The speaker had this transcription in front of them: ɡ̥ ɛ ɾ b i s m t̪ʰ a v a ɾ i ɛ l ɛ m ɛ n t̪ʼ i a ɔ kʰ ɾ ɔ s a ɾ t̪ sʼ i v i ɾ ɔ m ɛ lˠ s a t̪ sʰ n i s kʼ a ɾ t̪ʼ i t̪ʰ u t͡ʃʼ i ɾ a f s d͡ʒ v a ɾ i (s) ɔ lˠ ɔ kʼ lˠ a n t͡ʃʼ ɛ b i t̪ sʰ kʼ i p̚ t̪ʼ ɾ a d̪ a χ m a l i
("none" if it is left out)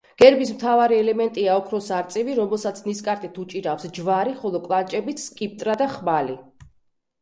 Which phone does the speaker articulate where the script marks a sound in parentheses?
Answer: χ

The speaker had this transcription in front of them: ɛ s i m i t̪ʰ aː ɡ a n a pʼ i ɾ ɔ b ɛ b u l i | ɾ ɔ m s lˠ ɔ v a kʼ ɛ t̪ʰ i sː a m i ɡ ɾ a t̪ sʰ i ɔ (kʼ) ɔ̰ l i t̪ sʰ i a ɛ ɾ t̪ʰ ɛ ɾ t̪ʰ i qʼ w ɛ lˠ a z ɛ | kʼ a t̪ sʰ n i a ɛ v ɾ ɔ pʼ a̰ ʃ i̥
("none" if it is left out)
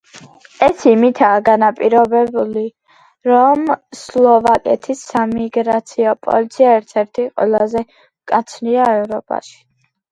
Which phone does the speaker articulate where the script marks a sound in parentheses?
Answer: pʼ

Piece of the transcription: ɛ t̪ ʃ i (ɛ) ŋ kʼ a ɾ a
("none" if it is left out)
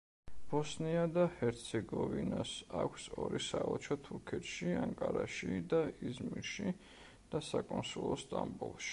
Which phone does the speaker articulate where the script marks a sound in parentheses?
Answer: a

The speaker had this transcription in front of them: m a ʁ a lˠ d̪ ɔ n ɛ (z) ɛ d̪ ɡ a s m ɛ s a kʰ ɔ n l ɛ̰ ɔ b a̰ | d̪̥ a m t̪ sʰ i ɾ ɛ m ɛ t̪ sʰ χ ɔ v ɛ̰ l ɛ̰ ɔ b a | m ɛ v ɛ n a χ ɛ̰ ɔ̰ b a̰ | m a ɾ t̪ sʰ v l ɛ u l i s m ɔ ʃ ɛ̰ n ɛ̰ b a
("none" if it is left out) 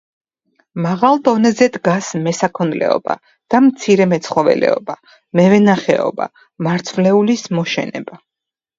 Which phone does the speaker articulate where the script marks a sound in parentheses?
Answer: z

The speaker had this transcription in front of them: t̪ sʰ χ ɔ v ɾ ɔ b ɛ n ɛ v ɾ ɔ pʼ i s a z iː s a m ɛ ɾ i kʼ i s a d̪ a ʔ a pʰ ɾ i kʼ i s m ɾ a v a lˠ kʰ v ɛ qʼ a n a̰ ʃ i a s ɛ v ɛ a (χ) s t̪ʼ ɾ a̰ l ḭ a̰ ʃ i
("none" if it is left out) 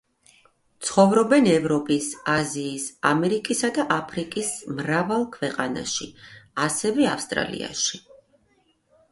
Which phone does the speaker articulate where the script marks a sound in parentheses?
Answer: f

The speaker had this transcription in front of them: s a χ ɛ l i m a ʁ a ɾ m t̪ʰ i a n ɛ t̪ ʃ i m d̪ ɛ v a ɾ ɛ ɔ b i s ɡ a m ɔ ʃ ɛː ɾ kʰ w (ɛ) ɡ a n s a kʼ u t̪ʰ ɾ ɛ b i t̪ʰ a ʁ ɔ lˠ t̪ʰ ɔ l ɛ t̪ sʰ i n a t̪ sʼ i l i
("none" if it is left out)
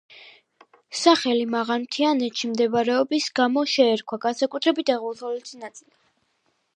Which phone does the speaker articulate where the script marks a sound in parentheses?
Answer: a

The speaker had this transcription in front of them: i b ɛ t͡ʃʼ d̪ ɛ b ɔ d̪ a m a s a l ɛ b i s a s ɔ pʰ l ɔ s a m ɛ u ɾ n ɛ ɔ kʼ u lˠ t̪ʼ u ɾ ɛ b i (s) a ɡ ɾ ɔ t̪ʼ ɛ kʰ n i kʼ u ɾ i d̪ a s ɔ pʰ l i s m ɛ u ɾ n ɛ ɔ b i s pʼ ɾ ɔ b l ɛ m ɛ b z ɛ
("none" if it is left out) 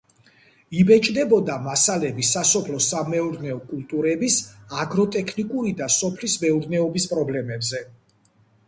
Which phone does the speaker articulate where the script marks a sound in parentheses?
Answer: s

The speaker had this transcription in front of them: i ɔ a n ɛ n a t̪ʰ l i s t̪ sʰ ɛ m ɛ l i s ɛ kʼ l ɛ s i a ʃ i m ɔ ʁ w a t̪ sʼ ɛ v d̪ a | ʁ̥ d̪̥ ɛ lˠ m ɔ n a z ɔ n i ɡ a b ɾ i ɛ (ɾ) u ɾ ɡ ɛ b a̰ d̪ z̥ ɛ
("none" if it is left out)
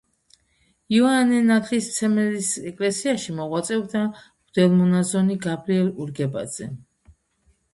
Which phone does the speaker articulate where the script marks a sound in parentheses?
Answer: l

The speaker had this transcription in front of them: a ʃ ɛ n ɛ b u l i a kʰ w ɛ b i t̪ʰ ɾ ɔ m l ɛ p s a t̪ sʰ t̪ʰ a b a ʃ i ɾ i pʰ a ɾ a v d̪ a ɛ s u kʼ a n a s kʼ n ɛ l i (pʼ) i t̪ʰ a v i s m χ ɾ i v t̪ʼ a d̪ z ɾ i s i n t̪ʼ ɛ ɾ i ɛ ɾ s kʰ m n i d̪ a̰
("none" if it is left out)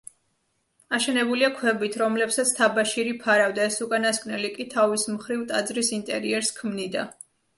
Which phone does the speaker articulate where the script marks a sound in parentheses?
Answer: kʼ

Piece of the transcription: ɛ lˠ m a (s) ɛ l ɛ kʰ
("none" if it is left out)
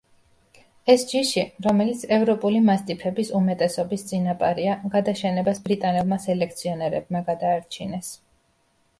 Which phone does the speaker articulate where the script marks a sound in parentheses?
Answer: s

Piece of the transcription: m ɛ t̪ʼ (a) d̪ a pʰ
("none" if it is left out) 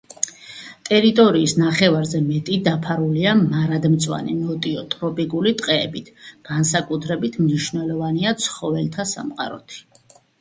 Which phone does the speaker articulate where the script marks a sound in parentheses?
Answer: i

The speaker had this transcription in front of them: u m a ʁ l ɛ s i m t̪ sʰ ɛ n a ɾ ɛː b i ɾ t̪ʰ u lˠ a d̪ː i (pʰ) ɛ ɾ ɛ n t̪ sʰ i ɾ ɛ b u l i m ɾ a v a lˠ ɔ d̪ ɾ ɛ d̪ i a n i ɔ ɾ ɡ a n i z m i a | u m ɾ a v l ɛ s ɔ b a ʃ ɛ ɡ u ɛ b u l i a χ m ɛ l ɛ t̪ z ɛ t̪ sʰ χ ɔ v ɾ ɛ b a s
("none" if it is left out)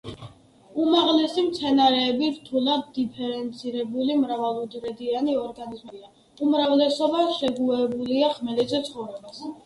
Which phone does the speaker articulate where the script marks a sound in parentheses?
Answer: pʰ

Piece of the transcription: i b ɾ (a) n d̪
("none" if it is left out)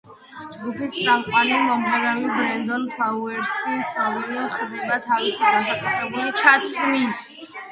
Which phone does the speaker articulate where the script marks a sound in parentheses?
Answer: ɛ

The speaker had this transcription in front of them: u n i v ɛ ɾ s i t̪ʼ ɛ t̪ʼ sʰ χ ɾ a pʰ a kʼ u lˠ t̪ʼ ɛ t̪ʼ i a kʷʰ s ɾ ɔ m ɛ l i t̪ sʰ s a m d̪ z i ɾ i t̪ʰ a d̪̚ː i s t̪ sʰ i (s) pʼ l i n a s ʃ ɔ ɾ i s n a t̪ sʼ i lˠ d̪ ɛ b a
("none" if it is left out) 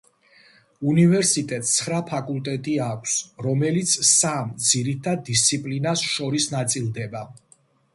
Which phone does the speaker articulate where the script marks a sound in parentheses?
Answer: none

